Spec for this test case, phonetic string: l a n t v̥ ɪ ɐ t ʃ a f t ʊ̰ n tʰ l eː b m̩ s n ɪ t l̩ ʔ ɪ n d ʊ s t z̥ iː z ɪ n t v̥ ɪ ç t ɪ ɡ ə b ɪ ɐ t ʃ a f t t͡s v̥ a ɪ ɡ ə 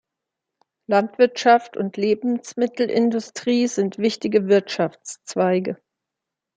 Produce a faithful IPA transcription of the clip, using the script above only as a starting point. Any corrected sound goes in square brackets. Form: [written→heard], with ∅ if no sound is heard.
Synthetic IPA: l a n t v̥ ɪ ɐ t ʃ a f t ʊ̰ n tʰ l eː b m̩ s [n→m] ɪ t l̩ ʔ ɪ n d ʊ s t [z̥→ʁ̥] iː z ɪ n t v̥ ɪ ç t ɪ ɡ ə [b→v] ɪ ɐ t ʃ a f [t→t͡s] t͡s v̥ a ɪ ɡ ə